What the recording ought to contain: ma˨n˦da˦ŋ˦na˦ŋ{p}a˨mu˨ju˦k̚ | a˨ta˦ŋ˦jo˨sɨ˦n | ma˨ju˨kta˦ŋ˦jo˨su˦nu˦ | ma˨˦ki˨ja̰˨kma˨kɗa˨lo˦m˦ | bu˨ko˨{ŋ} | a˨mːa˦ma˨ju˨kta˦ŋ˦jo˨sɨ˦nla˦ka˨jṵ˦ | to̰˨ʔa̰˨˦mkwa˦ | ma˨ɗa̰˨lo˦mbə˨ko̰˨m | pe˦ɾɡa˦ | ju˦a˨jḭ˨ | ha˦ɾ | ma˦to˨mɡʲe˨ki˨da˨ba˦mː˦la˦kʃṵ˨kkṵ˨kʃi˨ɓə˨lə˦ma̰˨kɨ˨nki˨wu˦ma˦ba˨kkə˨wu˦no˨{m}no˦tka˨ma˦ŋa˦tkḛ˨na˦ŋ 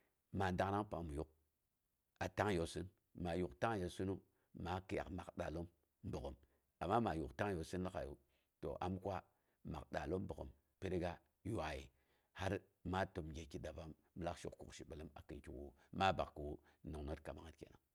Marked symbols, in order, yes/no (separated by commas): yes, no, no